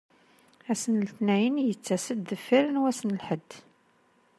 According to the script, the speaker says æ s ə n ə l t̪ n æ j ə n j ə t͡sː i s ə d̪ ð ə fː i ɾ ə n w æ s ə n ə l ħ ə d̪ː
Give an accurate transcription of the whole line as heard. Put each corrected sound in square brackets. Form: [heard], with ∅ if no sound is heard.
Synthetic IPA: æ s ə n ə l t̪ n æ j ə n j ə t͡sː [æ] s ə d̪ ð ə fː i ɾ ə n w æ s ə n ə l ħ ə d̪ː